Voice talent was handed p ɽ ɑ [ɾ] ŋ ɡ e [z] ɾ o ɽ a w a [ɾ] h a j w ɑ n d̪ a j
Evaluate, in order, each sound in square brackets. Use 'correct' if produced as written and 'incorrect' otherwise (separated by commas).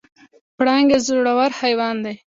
incorrect, correct, correct